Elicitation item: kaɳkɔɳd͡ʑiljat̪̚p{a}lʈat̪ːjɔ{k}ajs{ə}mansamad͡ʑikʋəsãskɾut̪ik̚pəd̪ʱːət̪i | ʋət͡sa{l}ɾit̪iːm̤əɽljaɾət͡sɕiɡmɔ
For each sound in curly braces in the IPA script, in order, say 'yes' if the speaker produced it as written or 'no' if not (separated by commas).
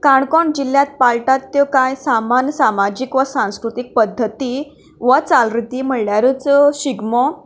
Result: yes, yes, no, yes